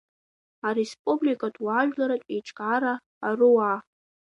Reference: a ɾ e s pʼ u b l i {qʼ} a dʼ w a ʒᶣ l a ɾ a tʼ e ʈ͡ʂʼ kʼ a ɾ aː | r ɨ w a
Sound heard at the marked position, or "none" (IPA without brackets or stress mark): kʼ